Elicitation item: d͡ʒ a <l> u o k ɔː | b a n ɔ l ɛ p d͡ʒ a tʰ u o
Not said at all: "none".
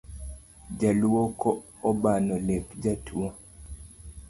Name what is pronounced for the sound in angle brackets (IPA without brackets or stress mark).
l